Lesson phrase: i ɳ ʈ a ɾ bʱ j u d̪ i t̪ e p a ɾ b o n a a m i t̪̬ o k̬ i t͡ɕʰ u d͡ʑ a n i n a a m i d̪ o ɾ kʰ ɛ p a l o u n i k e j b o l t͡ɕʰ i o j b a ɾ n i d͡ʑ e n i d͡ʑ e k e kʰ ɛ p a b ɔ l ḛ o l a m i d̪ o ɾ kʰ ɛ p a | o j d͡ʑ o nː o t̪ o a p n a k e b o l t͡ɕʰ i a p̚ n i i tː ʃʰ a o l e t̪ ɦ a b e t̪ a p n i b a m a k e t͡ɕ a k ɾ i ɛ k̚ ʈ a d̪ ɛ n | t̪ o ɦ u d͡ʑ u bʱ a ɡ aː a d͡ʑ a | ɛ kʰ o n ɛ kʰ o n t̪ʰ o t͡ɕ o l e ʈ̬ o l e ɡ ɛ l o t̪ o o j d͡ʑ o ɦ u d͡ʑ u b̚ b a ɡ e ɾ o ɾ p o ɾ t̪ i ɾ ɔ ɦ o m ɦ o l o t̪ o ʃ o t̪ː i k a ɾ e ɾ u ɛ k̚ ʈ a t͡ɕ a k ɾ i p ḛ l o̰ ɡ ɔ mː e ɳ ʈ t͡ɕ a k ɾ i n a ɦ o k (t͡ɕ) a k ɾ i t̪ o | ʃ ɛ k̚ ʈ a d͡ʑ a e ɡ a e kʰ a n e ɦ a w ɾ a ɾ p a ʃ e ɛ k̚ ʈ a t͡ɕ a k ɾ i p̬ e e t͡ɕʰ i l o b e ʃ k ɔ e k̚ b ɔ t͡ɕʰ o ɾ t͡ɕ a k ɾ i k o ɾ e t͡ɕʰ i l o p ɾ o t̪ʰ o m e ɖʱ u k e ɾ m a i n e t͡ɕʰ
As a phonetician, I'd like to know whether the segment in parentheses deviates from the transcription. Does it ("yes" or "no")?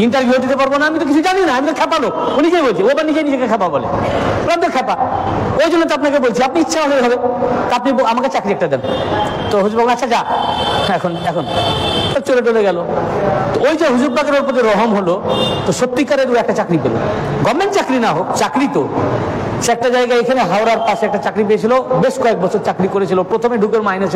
no